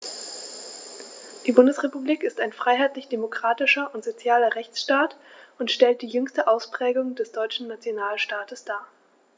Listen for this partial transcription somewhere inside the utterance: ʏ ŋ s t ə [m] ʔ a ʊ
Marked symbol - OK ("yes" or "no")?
no